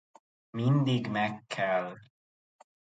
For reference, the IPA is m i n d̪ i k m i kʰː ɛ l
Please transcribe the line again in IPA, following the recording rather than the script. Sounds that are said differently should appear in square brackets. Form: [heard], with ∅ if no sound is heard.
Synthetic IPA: m i n d̪ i [ɡ] m [ɛ] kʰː ɛ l